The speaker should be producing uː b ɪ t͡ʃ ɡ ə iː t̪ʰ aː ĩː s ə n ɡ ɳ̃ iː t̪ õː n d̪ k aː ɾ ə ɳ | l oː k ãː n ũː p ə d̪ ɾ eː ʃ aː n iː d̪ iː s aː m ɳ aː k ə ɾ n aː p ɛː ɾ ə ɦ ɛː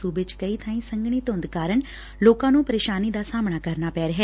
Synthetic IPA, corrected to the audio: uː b ɪ t͡ʃ k ə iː t̪ʰ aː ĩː s ə ŋ ɡ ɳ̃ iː t̪ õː n d̪ k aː ɾ ə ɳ | l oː k ãː n ũː p ə ɾ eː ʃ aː n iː d̪ aː s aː m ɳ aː k ə ɾ n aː p ɛː ɾ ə ɦ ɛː